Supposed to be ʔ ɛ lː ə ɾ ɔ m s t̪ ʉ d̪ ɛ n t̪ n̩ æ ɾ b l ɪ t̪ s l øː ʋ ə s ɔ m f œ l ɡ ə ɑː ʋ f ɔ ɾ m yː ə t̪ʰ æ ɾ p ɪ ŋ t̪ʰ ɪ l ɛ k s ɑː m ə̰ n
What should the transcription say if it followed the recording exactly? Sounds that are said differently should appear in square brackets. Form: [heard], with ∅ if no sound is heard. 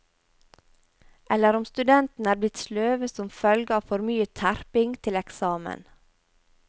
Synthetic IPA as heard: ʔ ɛ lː ə ɾ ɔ m s t̪ ʉ d̪ ɛ n t̪ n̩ [æː] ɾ b l ɪ t̪ s l øː ʋ ə s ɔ m f œ l ɡ ə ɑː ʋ f ɔ ɾ m yː ə t̪ʰ æ ɾ p ɪ ŋ t̪ʰ ɪ l ɛ k s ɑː m ə̰ n

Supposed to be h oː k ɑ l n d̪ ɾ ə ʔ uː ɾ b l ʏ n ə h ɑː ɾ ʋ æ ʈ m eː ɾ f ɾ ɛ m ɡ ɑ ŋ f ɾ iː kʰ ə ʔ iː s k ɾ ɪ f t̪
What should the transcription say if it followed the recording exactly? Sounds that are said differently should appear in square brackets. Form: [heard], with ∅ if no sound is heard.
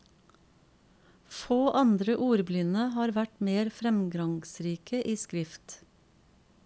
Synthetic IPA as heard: [f] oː [ʔ] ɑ [∅] n d̪ ɾ ə ʔ uː ɾ b l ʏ n ə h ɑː ɾ ʋ æ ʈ m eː ɾ f ɾ ɛ m ɡ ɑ ŋ [s] ɾ iː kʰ ə ʔ iː s k ɾ ɪ f t̪

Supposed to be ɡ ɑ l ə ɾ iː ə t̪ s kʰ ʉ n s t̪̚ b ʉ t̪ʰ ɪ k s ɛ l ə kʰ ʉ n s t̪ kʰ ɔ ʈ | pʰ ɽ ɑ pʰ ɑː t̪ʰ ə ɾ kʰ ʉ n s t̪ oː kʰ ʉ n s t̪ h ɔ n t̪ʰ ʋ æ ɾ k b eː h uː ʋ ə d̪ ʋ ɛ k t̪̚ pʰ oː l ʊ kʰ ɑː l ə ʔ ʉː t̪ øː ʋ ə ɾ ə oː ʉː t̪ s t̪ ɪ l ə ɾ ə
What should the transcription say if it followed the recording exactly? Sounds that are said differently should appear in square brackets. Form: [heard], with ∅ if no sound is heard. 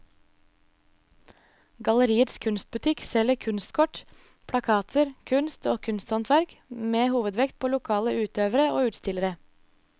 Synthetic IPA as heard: ɡ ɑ l ə ɾ iː ə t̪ s kʰ ʉ n s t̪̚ b ʉ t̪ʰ ɪ k s ɛ l ə kʰ ʉ n s t̪ kʰ ɔ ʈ | pʰ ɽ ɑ [kʰ] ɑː t̪ʰ ə ɾ kʰ ʉ n s t̪ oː kʰ ʉ n s t̪ h ɔ n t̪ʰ ʋ æ ɾ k [m] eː h uː ʋ ə d̪ ʋ ɛ k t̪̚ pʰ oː l ʊ kʰ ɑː l ə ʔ ʉː t̪ øː ʋ ə ɾ ə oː ʉː t̪ s t̪ ɪ l ə ɾ ə

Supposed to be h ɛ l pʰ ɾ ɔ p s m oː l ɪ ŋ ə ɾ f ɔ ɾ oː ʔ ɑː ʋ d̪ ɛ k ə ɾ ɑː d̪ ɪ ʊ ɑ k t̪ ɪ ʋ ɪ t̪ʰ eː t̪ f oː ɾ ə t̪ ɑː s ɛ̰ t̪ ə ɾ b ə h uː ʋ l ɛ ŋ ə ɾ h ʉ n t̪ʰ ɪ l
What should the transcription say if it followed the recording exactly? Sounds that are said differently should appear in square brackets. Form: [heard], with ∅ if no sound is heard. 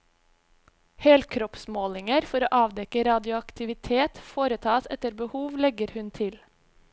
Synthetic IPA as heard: h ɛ l [kʰ] ɾ ɔ p s m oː l ɪ ŋ ə ɾ f ɔ ɾ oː ʔ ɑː ʋ d̪ ɛ k ə ɾ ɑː d̪ ɪ ʊ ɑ k t̪ ɪ ʋ ɪ t̪ʰ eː t̪ f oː ɾ ə [t̪ʰ] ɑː s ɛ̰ t̪ ə ɾ b ə h uː ʋ l ɛ [ɡ] ə ɾ h ʉ n t̪ʰ ɪ l

